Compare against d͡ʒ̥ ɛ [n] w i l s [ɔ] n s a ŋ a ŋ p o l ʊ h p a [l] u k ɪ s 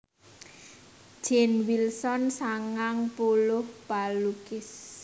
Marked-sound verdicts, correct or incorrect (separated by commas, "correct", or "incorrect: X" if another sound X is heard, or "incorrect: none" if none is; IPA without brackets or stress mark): correct, correct, correct